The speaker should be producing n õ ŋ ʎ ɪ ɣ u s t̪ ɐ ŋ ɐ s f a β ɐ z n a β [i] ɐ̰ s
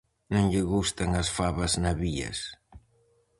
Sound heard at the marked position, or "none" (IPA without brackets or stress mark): i